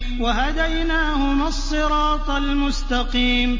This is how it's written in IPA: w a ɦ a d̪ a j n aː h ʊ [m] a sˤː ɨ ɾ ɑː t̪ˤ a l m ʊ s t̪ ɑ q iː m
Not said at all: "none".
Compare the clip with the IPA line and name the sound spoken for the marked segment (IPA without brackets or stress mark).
m